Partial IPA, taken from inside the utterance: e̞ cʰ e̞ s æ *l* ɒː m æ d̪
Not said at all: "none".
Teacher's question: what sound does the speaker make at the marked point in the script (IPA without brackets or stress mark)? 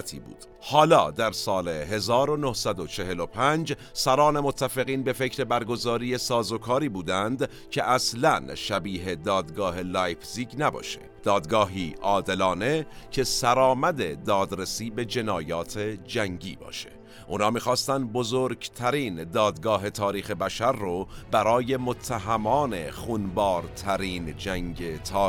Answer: ɾ